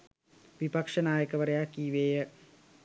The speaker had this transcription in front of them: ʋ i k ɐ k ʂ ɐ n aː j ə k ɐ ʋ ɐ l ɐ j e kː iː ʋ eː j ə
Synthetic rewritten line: ʋ i p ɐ k ʂ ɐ n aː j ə k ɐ ʋ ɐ ɾ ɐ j a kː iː ʋ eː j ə

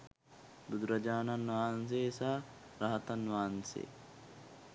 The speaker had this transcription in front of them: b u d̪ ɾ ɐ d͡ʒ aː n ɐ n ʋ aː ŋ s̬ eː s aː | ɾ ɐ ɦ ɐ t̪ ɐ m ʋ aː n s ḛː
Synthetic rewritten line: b u d̪ ɾ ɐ d͡ʒ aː n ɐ n ʋ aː n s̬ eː s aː | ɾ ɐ ɦ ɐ t̪ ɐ n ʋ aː n s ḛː

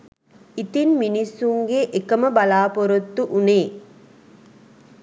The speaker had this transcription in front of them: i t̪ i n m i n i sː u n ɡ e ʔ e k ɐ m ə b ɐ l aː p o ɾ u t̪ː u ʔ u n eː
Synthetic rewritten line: i t̪ i n m i n i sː u ŋ ɡ e ʔ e k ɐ m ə b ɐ l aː p o ɾ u t̪ː u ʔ u n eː

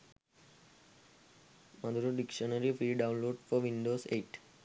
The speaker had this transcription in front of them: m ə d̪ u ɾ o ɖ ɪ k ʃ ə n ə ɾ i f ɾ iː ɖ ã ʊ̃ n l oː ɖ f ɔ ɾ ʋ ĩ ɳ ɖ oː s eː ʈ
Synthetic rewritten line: m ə d̪ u ɾ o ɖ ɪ k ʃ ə n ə ɾ i f ɾ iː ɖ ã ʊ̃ n l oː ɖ f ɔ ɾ ʋ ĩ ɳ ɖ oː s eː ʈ

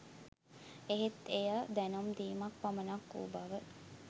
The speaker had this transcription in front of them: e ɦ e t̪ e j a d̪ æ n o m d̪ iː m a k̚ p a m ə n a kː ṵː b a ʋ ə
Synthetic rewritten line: e ɦ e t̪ e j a d̪ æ n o m d̪ iː m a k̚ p a m ə n a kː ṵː b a ʋ ə

